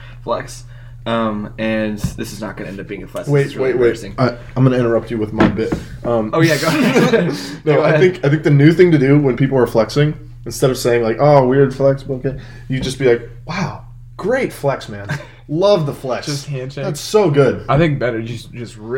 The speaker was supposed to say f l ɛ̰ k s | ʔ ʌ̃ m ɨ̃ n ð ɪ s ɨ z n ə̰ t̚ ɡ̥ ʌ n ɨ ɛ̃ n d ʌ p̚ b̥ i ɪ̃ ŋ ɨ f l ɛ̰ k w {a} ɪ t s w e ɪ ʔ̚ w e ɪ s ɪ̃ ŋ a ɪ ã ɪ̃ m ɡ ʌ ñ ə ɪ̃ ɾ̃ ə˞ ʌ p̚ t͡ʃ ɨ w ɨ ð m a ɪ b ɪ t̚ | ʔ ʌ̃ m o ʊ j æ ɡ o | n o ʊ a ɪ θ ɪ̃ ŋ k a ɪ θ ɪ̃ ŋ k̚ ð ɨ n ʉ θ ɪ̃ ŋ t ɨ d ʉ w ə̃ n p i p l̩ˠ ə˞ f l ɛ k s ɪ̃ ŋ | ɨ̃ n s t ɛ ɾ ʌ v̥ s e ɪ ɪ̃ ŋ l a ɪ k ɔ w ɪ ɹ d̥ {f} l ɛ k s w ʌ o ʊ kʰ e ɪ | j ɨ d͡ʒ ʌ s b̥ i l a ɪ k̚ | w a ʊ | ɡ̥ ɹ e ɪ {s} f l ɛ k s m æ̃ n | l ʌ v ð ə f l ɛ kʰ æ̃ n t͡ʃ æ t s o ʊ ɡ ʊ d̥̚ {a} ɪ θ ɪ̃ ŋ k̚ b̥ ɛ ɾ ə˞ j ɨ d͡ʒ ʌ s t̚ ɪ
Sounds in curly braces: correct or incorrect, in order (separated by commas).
incorrect, correct, incorrect, correct